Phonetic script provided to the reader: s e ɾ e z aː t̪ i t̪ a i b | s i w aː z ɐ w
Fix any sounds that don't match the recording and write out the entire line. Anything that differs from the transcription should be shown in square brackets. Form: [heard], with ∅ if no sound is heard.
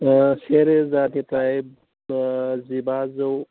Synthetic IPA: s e ɾ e z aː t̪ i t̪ a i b | [z] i [b] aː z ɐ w